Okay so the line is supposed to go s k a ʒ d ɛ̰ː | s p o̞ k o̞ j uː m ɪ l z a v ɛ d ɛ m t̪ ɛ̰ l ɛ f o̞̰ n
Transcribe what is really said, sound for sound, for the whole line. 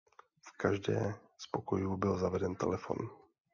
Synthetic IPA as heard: f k a ʒ d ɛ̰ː | s p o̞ k o̞ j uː b ɪ l z a v ɛ d ɛ n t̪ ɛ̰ l ɛ f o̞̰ n